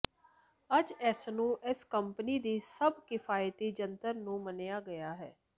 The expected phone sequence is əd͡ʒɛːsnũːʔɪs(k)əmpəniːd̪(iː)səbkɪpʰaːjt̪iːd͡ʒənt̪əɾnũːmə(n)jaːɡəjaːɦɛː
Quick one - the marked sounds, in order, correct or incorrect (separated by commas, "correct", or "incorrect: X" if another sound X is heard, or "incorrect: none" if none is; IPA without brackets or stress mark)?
correct, correct, correct